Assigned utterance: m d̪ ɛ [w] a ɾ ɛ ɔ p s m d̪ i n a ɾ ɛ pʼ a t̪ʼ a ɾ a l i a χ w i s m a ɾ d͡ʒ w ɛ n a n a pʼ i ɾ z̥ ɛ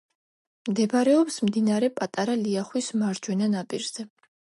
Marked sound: incorrect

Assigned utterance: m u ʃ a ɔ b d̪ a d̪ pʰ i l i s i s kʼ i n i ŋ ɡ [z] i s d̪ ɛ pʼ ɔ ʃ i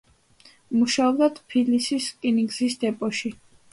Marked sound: correct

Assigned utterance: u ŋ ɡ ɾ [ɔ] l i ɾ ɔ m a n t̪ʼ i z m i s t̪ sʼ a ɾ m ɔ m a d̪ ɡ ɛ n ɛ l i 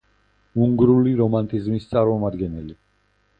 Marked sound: incorrect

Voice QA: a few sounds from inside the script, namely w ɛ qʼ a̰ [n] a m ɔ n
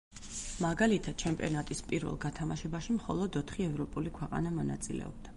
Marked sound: correct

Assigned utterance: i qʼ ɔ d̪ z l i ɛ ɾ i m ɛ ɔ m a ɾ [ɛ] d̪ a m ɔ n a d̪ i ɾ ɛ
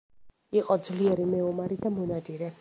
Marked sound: incorrect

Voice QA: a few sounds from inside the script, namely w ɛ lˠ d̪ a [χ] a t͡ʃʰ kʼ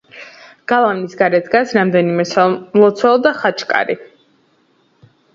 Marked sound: correct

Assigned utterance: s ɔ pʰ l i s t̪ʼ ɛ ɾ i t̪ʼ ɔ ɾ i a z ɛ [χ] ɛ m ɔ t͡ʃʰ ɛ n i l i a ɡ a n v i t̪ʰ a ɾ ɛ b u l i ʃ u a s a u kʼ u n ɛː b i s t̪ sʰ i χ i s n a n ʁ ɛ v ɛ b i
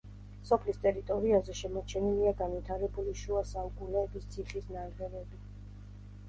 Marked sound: incorrect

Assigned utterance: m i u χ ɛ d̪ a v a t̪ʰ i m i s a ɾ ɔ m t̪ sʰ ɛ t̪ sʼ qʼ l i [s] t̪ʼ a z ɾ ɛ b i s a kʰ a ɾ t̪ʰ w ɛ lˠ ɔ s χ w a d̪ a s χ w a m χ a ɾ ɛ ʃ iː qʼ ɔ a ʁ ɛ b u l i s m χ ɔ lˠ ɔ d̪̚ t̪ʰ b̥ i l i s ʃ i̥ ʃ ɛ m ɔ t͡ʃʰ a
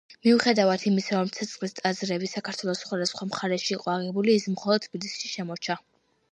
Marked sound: correct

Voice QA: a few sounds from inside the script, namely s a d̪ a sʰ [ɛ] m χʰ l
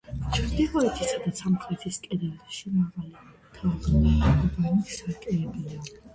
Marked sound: incorrect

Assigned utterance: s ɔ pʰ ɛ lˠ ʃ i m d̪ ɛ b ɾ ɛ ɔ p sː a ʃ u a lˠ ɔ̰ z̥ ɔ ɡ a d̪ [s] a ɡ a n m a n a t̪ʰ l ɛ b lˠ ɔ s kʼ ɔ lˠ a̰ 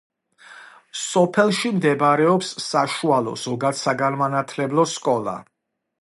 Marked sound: correct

